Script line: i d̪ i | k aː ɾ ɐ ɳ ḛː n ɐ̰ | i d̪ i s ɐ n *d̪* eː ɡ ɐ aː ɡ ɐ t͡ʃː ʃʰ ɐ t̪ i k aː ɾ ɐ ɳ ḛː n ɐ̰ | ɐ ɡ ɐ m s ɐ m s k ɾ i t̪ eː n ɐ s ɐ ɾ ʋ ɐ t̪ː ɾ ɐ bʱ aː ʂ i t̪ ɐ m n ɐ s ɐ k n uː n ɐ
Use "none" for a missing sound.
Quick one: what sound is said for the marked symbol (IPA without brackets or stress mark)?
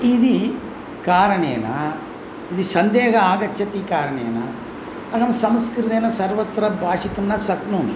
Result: d̪